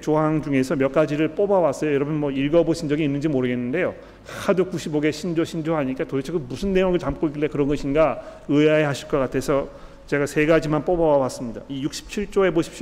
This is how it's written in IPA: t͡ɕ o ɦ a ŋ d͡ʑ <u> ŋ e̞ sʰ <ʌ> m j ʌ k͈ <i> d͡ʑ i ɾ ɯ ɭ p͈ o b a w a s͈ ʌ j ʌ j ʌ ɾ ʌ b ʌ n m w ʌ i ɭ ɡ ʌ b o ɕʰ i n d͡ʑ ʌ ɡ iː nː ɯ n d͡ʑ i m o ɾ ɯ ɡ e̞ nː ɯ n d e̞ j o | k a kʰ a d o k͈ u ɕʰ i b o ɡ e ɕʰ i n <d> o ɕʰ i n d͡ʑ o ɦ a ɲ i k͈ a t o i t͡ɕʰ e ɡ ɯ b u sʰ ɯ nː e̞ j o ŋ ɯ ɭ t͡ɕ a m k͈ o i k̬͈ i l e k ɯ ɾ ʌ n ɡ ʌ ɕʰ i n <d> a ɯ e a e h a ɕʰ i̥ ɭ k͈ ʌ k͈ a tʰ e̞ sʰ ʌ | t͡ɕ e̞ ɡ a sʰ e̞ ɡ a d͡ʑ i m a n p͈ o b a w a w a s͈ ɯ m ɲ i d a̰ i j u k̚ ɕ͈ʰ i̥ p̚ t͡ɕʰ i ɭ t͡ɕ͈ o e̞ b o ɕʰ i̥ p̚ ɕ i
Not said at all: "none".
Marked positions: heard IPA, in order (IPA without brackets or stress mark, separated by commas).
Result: u, ʌ, a, d͡ʑ, ɡ